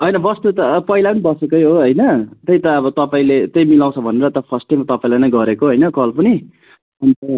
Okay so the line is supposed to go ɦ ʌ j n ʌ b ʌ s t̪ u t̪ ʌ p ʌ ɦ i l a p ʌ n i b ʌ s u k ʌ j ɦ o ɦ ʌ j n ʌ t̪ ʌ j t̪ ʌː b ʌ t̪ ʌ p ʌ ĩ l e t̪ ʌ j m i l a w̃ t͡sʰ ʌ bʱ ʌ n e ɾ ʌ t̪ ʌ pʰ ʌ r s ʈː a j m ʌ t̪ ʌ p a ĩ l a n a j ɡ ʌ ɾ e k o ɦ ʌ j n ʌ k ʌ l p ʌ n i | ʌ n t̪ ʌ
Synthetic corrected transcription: ɦ ʌ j n ʌ b ʌ s t̪ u t̪ ʌ p ʌ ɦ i l a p ʌ n i b ʌ s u k ʌ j ɦ o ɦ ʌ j n ʌ t̪ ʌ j t̪ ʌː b ʌ t̪ ʌ p a ĩ l e t̪ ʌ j m i l a w̃ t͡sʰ ʌ bʱ ʌ n e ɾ ʌ t̪ ʌ pʰ ʌ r s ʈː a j m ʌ t̪ ʌ p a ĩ l a n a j ɡ ʌ ɾ e k o ɦ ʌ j n ʌ k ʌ l p ʌ n i | ʌ n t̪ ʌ